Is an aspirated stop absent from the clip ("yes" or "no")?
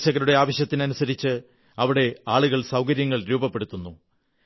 yes